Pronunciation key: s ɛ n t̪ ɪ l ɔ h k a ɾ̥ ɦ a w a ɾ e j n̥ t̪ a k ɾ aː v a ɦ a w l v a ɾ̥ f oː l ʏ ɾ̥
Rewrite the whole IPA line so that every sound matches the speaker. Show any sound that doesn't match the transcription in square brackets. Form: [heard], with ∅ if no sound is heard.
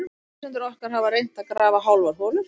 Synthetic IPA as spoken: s ɛ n t̪ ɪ [ɾ] ɔ h k a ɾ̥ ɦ a [v] a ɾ e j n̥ t̪ a k ɾ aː v a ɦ a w l v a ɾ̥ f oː l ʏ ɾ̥